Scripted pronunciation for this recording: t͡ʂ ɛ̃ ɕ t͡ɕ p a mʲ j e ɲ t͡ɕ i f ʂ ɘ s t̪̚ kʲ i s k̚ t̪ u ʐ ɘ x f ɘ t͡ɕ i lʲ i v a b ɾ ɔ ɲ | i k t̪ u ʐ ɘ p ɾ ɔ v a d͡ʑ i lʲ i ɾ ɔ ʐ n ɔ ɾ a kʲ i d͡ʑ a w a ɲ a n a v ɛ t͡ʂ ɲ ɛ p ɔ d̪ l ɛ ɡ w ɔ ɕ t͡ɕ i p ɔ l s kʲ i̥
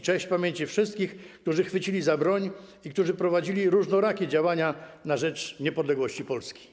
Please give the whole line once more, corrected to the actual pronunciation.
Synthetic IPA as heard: t͡ʂ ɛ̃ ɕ t͡ɕ p a mʲ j e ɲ t͡ɕ i f ʂ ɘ s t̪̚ kʲ i x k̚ t̪ u ʐ ɘ x f ɘ t͡ɕ i lʲ i z a b ɾ ɔ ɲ | i k t̪ u ʐ ɘ p ɾ ɔ v a d͡ʑ i lʲ i ɾ u ʐ n ɔ ɾ a kʲ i d͡ʑ a w a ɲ a n a ʐ ɛ t͡ʂ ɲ ɛ p ɔ d̪ l ɛ ɡ w ɔ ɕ t͡ɕ i p ɔ l s kʲ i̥